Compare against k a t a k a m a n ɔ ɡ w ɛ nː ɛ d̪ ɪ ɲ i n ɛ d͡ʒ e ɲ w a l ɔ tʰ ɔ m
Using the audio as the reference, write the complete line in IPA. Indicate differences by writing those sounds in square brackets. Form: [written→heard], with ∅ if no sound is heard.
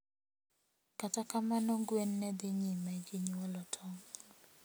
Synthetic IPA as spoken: k a t a k a m a n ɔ ɡ w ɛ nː ɛ d̪ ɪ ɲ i [n→m] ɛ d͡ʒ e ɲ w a l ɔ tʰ ɔ [m→ŋ]

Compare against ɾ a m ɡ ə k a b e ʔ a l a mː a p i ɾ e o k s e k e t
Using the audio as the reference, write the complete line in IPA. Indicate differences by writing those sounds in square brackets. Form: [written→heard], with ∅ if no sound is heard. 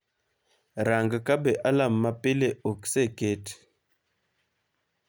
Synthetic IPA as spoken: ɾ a [m→ŋ] ɡ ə k a b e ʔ a l a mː a p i [ɾ→l] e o k s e k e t

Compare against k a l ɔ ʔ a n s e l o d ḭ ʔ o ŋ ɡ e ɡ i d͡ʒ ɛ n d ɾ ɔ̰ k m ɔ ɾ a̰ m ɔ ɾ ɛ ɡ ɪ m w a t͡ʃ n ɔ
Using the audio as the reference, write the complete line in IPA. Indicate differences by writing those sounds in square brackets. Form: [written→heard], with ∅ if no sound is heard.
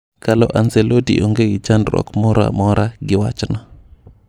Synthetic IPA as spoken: k a l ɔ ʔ a n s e l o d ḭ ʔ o ŋ ɡ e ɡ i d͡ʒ [ɛ→a] n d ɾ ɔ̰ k m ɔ ɾ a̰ m ɔ ɾ [ɛ→a] ɡ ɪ [m→∅] w a t͡ʃ n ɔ

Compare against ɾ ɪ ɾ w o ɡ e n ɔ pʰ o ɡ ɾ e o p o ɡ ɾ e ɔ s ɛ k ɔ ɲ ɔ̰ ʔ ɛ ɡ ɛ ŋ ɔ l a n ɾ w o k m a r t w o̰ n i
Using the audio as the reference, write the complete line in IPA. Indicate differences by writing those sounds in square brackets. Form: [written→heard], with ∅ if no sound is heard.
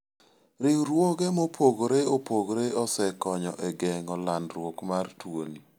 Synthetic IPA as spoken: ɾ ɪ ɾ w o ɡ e [n→m] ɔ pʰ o ɡ ɾ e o p o ɡ ɾ e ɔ s ɛ k ɔ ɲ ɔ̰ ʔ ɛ ɡ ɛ ŋ ɔ l a n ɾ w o k m a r t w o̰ n i

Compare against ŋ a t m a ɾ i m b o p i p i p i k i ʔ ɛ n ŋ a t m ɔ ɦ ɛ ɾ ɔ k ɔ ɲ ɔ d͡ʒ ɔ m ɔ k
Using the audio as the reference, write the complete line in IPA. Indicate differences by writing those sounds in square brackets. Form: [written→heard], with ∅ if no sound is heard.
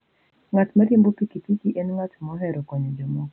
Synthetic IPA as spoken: ŋ a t m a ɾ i m b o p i [p→k] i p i k i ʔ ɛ n ŋ a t m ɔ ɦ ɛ ɾ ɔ k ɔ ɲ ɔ d͡ʒ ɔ m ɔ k

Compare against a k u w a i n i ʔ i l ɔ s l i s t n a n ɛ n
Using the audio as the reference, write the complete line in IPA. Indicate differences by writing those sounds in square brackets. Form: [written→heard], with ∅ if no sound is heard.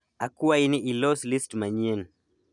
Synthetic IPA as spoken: a k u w a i n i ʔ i l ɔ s l i s t [n→m] a [n→ɲ] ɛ n

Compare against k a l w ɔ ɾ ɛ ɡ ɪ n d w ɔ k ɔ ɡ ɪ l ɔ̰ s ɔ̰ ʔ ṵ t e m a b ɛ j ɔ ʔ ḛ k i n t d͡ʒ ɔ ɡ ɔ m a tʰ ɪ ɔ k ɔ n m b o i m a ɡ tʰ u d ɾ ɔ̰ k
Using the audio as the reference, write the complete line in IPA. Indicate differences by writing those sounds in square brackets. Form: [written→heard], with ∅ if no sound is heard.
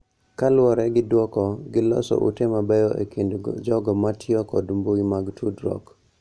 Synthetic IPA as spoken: k a l w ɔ ɾ ɛ ɡ ɪ [n→∅] d w ɔ k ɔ ɡ ɪ l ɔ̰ s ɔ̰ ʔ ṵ t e m a b ɛ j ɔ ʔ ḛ k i n [t→d] d͡ʒ ɔ ɡ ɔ m a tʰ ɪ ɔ k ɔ [n→d] m b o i m a ɡ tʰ u d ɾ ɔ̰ k

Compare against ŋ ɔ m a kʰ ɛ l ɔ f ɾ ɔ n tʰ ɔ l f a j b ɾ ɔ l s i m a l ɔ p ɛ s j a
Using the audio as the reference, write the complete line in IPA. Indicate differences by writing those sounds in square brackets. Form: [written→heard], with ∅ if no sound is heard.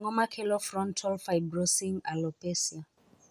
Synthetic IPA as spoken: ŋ ɔ m a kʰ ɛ l ɔ f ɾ ɔ n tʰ ɔ l f a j b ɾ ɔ [l→∅] s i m a l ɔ p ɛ s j a

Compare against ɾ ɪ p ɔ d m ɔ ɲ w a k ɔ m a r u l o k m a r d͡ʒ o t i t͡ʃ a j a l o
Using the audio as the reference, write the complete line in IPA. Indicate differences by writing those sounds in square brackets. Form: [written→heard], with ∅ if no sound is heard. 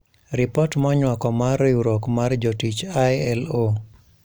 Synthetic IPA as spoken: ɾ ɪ p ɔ [d→t] m ɔ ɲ w a k ɔ m a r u [l→ɾ] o k m a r d͡ʒ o t i t͡ʃ a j [a→ɛ] l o

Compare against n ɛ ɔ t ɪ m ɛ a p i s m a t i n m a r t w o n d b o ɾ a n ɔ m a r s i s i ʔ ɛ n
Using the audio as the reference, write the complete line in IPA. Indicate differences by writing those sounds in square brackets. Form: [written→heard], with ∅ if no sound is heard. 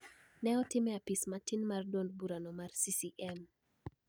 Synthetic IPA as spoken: n ɛ ɔ t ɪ m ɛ a p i s m a t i n m a r [t→d] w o n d b [o→u] ɾ a n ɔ m a r s i s i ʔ ɛ [n→m]

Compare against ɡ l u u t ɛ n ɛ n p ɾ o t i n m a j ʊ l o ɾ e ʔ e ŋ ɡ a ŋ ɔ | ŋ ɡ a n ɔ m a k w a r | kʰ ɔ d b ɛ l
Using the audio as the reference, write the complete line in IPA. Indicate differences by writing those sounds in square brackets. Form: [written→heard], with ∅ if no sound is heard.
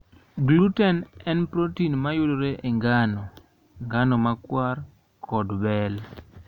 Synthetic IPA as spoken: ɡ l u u t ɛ n ɛ n p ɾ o t i n m a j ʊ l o ɾ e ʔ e ŋ ɡ a [ŋ→n] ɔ | ŋ ɡ a n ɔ m a k w a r | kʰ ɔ d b ɛ l

